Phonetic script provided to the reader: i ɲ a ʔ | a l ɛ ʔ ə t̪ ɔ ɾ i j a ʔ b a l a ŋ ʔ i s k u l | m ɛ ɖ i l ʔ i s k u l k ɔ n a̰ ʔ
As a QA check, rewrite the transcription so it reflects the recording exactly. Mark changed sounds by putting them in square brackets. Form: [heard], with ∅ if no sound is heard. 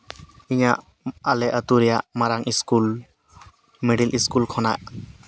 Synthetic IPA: i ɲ a ʔ | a l ɛ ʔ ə t̪ [u] ɾ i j a ʔ [m] a [ɾ] a ŋ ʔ i s k u l | m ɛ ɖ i l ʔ i s k u l [kʰ] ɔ n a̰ ʔ